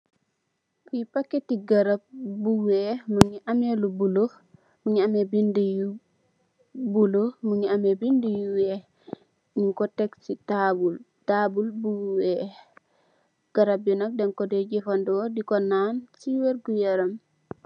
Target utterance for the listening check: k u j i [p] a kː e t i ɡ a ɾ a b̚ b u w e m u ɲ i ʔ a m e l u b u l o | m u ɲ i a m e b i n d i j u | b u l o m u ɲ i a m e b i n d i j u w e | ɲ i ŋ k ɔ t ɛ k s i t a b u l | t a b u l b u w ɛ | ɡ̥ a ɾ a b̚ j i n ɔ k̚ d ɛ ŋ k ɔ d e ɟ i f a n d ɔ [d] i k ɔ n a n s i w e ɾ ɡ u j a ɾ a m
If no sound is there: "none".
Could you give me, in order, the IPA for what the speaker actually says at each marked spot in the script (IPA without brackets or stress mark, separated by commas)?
p, d